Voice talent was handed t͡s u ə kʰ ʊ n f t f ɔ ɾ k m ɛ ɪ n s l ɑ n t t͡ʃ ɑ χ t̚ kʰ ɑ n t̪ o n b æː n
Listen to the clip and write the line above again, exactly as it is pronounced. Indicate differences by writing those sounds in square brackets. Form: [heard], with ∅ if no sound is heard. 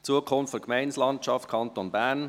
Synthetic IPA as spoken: t͡s u ə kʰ ʊ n f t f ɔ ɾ k m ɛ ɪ n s l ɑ n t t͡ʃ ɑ [f] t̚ kʰ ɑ n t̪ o n b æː n